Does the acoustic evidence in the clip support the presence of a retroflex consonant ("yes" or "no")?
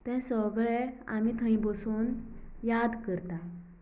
yes